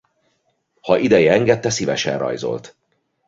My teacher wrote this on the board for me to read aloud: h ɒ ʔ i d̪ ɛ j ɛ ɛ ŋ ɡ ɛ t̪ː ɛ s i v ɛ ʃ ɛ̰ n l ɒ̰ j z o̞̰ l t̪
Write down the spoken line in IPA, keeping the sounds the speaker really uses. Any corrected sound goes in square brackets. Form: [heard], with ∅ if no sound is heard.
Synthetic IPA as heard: h ɒ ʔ i d̪ ɛ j ɛ ɛ ŋ ɡ ɛ t̪ː ɛ s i v ɛ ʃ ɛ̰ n [r] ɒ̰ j z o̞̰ l t̪